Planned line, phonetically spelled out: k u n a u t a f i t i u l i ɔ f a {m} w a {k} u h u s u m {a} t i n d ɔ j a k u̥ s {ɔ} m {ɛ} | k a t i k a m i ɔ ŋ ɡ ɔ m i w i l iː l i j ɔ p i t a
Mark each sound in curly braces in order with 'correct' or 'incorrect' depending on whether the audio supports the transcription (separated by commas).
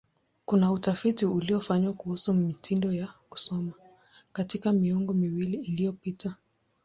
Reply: incorrect, correct, incorrect, correct, incorrect